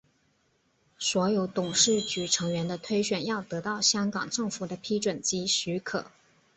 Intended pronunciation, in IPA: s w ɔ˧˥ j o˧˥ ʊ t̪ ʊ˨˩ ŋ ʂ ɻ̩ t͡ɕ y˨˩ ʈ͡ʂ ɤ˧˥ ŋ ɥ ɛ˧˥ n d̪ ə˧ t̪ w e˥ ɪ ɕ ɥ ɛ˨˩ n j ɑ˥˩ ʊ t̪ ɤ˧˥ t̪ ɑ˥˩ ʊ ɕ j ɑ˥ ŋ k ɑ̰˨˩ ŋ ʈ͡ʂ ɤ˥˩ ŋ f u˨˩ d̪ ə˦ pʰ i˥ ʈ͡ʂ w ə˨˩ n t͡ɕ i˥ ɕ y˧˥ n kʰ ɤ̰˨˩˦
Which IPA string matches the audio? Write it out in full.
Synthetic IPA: s w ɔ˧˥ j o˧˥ ʊ t̪ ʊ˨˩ ŋ ʂ ɻ̩ t͡ɕ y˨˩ ʈ͡ʂʰ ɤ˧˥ ŋ ɥ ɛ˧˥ n d̪ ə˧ t̪ʰ w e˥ ɪ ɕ ɥ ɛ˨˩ n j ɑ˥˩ ʊ t̪ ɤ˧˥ t̪ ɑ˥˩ ʊ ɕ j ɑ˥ ŋ k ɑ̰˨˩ ŋ ʈ͡ʂ ɤ˥˩ ŋ f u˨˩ d̪ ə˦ pʰ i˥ ʈ͡ʂ w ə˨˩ n t͡ɕ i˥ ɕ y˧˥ kʰ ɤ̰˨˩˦